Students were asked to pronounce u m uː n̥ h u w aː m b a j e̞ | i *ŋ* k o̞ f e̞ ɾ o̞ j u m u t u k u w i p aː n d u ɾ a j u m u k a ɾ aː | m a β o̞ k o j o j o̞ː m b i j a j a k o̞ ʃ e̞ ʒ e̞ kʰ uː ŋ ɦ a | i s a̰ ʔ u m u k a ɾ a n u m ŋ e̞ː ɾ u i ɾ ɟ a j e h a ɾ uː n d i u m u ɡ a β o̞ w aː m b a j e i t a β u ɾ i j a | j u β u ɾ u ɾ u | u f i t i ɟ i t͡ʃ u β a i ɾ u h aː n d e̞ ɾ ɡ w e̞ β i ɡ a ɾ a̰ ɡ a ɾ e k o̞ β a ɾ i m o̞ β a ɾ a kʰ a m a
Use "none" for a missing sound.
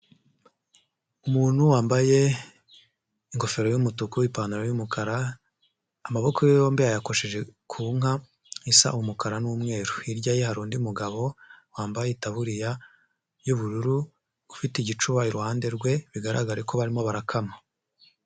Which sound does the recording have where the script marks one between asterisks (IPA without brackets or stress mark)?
ŋ